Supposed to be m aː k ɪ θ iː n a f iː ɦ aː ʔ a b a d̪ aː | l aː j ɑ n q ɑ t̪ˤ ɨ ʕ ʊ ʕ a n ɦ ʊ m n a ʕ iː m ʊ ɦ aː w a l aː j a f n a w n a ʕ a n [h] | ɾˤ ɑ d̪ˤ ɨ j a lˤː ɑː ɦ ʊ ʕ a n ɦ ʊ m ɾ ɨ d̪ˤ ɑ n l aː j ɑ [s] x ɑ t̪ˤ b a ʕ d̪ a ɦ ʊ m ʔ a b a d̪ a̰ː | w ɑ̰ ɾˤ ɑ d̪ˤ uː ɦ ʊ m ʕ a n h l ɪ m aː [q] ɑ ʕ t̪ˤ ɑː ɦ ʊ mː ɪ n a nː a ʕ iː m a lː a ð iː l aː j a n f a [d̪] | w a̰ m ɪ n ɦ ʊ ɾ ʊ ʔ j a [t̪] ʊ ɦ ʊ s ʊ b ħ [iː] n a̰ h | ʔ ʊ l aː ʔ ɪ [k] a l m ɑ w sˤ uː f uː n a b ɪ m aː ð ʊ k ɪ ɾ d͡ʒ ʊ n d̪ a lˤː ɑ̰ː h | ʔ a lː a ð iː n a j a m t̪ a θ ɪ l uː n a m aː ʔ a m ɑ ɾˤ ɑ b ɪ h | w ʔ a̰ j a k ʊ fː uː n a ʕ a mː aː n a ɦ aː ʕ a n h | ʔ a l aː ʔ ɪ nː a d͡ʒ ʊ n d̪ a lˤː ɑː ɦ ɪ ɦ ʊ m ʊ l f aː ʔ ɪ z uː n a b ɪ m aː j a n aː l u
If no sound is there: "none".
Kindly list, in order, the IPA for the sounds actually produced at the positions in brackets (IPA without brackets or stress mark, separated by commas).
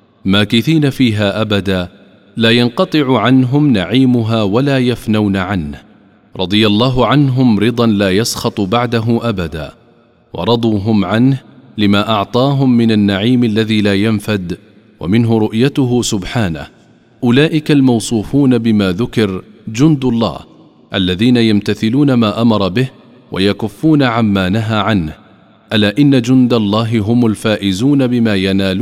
h, s, ʔ, d̪, t̪, aː, k